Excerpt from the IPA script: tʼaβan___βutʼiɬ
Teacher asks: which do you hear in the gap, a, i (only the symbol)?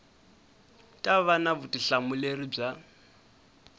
a